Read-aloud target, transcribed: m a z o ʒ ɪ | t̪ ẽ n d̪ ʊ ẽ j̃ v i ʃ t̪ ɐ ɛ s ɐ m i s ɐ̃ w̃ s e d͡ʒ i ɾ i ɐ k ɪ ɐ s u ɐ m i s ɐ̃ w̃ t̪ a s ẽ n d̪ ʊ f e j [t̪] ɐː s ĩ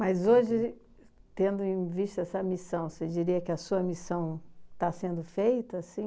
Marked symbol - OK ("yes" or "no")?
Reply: yes